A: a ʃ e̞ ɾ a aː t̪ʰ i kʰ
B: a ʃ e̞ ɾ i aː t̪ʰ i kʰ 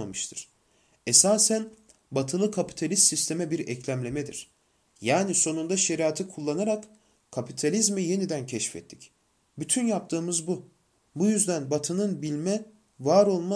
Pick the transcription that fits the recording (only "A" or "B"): B